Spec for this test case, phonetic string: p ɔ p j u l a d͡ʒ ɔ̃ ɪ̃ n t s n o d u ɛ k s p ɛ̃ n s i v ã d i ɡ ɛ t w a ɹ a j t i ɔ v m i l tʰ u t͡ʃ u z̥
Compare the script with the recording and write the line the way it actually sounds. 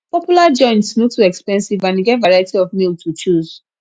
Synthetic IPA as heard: p ɔ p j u l a d͡ʒ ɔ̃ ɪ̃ n t s n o t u ɛ k s p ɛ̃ n s i v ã n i ɡ ɛ t v a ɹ a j t i ɔ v m i l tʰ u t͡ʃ u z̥